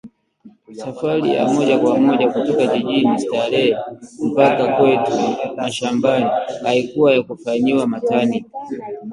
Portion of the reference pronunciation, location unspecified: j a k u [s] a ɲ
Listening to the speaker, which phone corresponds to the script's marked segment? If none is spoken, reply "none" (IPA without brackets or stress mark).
f